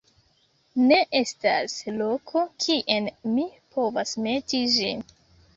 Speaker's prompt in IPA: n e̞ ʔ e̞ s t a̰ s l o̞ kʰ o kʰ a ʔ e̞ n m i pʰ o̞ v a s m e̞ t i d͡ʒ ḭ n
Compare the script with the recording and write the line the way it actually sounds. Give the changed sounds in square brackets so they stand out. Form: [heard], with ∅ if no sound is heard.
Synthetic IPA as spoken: n e̞ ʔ e̞ s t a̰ s l o̞ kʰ o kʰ [i] ʔ e̞ n m i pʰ o̞ v a s m e̞ t i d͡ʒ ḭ n